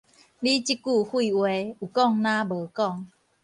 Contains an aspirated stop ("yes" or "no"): no